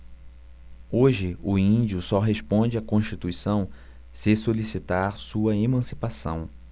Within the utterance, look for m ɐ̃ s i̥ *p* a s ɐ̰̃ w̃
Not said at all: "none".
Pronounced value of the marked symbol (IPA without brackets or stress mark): p